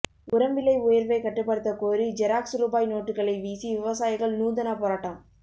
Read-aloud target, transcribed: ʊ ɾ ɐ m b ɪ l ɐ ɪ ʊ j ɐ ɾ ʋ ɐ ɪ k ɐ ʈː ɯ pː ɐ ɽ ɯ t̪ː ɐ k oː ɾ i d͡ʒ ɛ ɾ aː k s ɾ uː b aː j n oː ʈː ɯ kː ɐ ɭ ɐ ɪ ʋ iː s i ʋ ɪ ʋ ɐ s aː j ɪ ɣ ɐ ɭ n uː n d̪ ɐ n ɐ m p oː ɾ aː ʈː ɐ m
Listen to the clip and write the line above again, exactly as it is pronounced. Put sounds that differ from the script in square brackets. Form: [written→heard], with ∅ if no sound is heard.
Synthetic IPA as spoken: ʊ ɾ ɐ m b ɪ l ɐ ɪ ʊ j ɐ ɾ ʋ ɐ ɪ k ɐ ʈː ɯ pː ɐ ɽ ɯ t̪ː ɐ k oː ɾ i d͡ʒ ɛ ɾ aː k s ɾ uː b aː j n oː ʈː ɯ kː ɐ ɭ ɐ ɪ ʋ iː s i ʋ ɪ ʋ ɐ s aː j ɪ ɣ ɐ ɭ n uː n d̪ ɐ n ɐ [m→∅] p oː ɾ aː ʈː ɐ m